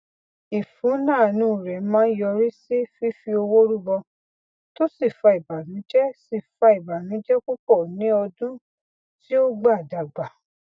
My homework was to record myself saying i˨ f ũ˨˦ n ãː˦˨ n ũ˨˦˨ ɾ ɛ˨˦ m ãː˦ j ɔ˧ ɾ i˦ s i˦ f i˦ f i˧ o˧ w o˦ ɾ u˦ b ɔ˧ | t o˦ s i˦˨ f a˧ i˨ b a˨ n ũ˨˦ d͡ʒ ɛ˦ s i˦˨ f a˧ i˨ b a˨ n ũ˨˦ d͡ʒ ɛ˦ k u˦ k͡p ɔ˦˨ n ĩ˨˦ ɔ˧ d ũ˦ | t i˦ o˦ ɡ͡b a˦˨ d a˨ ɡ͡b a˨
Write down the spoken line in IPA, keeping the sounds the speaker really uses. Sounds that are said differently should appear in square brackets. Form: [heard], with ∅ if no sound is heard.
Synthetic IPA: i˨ f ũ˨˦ n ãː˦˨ n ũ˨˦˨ ɾ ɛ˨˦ m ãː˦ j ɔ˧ ɾ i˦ s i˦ f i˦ f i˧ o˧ w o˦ ɾ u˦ b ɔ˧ | t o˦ s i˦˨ f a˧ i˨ b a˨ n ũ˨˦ d͡ʒ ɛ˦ s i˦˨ f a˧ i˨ b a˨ n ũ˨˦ d͡ʒ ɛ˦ k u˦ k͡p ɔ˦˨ n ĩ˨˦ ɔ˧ d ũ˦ | t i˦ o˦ ɡ͡b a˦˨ d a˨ ɡ͡b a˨

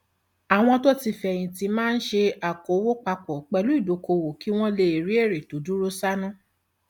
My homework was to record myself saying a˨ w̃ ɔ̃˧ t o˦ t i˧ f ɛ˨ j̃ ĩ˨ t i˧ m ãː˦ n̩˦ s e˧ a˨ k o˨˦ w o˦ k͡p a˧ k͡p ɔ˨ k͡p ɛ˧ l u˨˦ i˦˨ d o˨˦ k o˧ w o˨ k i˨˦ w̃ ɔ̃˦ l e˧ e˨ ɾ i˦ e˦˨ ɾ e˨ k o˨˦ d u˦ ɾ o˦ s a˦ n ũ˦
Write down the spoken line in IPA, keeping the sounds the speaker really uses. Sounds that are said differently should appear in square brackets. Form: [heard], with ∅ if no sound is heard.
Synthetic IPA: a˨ w̃ ɔ̃˧ t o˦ t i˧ f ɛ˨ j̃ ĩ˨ t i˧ m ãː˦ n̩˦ [ʃ] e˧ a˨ k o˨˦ w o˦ k͡p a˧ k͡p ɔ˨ k͡p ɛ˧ l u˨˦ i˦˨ d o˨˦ k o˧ w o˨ k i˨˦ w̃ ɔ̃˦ l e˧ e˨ ɾ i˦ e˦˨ ɾ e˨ [t] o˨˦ d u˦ ɾ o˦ s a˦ n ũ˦

